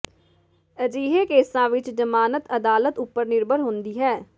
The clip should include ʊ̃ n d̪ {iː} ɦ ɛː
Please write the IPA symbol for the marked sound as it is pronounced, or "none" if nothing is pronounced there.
iː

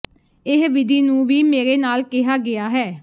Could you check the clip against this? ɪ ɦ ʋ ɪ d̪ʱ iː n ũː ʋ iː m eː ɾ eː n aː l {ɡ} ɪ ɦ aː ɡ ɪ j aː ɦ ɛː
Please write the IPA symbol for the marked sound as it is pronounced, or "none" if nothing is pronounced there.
k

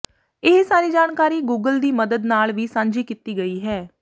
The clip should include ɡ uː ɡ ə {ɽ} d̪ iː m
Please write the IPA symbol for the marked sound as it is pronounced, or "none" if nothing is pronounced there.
l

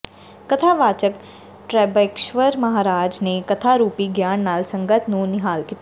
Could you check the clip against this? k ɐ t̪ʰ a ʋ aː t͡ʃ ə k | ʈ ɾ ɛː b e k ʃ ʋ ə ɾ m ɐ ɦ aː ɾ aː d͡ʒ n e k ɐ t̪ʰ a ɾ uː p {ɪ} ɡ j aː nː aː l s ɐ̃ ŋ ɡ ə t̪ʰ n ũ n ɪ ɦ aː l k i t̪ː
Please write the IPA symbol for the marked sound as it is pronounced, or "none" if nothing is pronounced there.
i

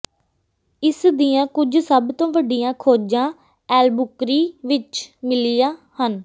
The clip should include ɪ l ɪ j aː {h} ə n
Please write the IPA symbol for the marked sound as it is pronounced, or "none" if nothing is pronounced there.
h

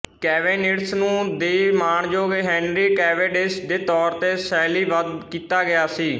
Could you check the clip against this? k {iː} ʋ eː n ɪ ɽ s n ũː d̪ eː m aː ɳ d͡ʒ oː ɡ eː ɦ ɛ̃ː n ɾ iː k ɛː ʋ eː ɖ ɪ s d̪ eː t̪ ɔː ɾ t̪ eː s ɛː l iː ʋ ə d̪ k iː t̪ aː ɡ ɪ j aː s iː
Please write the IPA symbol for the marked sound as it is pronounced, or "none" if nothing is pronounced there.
ɛː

